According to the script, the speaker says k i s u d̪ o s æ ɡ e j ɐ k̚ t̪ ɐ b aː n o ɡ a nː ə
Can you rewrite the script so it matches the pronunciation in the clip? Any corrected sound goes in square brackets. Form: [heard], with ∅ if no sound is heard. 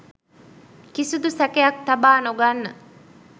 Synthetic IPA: k i s u d̪ [u] s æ [k] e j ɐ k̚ t̪ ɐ b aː n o ɡ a nː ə